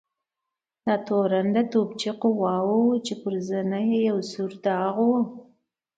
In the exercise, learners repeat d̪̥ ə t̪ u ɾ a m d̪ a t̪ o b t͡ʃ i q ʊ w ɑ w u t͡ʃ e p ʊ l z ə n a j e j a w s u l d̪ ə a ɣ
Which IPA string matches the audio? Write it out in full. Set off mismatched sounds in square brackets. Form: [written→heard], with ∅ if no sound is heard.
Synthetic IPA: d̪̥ [ə→ɑ] t̪ [u→o] ɾ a [m→n] d̪ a t̪ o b t͡ʃ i q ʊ w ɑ w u t͡ʃ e p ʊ [l→ɾ] z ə n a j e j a w s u [l→ɾ] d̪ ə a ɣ

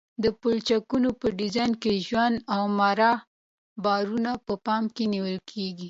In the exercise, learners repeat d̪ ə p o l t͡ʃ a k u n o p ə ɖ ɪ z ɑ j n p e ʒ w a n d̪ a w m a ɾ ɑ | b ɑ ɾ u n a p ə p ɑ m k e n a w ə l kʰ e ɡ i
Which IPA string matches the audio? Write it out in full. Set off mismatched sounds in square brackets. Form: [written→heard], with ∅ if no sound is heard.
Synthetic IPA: d̪ ə p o l t͡ʃ a k u n o p ə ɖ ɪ z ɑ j n [p→k] e ʒ w a n d̪ a w m a ɾ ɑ | b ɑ ɾ u n a p ə p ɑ m k e n [a→i] w ə l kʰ e ɡ i

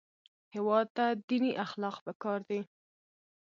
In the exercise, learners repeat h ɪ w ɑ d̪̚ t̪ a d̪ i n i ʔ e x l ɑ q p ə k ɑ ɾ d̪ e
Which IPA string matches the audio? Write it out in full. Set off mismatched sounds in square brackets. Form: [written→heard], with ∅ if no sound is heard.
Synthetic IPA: h ɪ w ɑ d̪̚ t̪ a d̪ i n i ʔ [e→a] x l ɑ q p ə k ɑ ɾ d̪ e

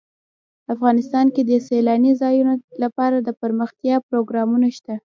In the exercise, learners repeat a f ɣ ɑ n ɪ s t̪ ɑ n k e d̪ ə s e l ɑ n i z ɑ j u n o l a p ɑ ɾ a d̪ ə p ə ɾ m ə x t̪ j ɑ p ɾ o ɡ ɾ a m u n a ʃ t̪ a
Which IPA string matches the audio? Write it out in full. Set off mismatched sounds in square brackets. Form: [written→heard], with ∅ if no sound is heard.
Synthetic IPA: a f ɣ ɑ n ɪ s t̪ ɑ n k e d̪ ə s e l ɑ n i z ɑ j u n o l a p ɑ ɾ a d̪ ə p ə ɾ m ə x t̪ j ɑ p ɾ o ɡ ɾ [a→ɑ] m u n a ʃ t̪ a

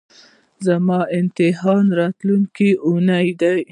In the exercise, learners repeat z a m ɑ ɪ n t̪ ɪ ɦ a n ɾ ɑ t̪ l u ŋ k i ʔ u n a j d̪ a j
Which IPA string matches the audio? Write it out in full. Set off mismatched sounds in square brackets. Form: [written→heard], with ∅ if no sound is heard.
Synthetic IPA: z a m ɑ ɪ n t̪ ɪ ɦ [a→ɑ] n ɾ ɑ t̪ l u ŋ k i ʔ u n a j d̪ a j

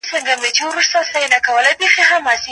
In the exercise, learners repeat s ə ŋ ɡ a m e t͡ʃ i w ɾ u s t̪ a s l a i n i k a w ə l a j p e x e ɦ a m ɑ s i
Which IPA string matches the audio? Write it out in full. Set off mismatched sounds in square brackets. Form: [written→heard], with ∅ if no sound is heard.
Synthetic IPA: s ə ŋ ɡ a m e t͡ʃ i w ɾ u s t̪ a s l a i n [i→a] k a w ə l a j p e x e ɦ a m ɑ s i

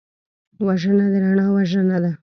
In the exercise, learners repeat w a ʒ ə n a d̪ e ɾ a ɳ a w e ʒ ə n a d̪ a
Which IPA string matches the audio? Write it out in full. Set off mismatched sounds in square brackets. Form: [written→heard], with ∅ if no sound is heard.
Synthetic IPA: w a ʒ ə n a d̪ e ɾ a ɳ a w [e→a] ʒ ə n a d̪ a

